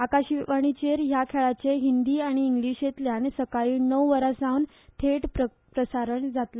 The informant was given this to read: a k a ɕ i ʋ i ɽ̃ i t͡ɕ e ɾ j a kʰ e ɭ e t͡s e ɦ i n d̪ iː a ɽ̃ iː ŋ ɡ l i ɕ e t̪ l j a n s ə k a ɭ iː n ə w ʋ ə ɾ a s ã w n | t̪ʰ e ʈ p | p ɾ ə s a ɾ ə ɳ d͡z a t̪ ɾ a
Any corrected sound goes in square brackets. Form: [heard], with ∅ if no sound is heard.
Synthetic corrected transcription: a k a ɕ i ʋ [a] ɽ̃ i t͡ɕ e ɾ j a kʰ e ɭ [a] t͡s e ɦ i n d̪ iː a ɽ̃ iː ŋ ɡ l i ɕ e t̪ l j a n s ə k a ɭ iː n ə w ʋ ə ɾ a s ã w n | t̪ʰ e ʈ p | p ɾ ə s a ɾ ə ɳ d͡z a t̪ [l] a